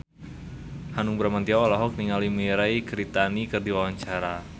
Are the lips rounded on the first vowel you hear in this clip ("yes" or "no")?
no